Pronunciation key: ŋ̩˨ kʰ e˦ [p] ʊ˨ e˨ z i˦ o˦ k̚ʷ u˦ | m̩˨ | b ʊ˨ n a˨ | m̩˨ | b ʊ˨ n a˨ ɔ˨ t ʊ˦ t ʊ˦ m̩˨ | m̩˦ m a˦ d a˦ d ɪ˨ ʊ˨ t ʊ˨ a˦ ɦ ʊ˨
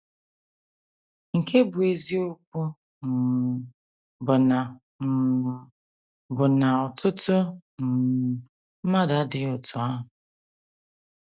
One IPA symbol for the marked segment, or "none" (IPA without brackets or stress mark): b